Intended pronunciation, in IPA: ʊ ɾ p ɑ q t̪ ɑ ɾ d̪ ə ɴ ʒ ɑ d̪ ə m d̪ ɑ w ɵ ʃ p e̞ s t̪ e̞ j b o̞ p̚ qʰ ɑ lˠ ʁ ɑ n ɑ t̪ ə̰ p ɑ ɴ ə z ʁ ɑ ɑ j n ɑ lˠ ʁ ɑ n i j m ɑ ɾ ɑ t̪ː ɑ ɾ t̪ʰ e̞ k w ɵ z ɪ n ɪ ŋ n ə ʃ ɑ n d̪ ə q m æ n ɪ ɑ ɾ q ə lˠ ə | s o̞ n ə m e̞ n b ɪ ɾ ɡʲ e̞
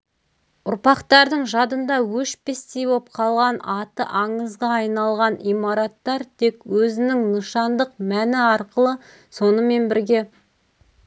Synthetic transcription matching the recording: ʊ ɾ p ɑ q t̪ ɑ ɾ d̪ ə ɴ ʒ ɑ d̪ ə n d̪ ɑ w ɵ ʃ p e̞ s t̪ e̞ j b o̞ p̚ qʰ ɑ lˠ ʁ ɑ n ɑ t̪ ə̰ ʔ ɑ ɴ ə z ʁ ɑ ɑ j n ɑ lˠ ʁ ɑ n i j m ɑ ɾ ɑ t̪ː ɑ ɾ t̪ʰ e̞ k w ɵ z ɪ n ɪ ŋ n ə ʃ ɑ n d̪ ə q m æ n ɪ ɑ ɾ q ə lˠ ə | s o̞ n ə m e̞ n b ɪ ɾ ɡʲ e̞